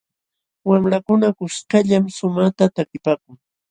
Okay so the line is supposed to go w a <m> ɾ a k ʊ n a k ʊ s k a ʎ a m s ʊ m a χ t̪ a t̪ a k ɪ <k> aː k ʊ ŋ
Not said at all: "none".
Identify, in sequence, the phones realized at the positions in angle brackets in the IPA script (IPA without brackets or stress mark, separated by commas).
m, p